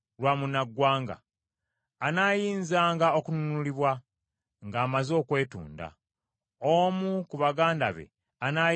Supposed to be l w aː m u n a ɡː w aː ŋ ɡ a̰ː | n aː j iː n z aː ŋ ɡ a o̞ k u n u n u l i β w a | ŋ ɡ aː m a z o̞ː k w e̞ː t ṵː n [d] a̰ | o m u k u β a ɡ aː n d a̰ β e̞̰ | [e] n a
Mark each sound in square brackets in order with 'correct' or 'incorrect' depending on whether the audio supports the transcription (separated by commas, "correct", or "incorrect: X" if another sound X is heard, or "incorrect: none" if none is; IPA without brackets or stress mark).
correct, incorrect: a